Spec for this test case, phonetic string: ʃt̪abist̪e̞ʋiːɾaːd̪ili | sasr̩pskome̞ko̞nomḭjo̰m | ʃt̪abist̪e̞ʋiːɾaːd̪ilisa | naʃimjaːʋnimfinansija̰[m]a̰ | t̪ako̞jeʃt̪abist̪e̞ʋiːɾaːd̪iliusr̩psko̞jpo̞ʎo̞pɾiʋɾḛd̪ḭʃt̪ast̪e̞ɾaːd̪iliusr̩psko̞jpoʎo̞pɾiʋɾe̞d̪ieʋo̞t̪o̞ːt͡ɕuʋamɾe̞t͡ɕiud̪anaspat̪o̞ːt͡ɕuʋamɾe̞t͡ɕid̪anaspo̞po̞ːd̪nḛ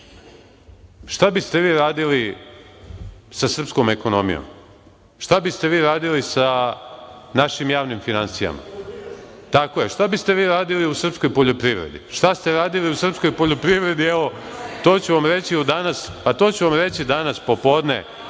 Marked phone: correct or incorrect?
correct